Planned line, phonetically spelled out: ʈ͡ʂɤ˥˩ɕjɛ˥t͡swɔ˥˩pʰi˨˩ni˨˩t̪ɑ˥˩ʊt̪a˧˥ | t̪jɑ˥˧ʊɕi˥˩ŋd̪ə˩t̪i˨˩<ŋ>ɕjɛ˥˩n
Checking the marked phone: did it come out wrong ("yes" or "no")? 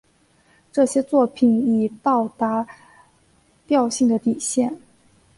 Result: yes